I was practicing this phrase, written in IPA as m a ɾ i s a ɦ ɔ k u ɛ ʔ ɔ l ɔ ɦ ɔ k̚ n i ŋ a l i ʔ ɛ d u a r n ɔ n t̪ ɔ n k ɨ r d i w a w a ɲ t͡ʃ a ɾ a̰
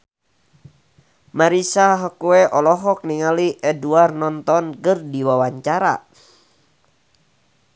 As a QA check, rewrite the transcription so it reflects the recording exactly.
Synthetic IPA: m a ɾ i s a ɦ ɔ k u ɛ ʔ ɔ l ɔ ɦ ɔ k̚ n i ŋ a l i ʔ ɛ d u a r n ɔ n t̪ ɔ n k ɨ r d i w a w a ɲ t͡ʃ a ɾ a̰